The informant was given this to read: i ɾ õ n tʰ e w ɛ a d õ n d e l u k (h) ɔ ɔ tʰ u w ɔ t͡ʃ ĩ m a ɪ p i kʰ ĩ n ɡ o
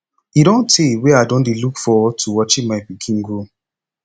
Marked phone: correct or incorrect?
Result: incorrect: f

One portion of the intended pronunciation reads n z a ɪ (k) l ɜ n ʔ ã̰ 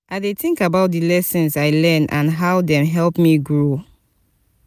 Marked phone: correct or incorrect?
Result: incorrect: none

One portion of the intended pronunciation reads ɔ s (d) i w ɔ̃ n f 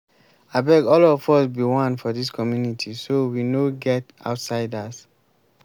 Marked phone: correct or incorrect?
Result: incorrect: b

